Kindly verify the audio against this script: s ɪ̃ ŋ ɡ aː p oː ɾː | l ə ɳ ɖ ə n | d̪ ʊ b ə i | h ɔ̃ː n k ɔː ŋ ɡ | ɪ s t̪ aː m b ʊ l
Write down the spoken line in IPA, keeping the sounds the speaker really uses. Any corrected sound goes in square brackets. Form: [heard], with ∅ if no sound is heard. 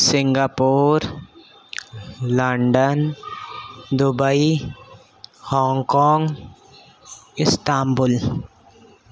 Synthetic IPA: s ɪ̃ ŋ ɡ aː p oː [ɾ] | l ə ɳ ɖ ə n | d̪ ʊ b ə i | h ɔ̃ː [ŋ] k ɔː ŋ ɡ | ɪ s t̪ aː m b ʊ l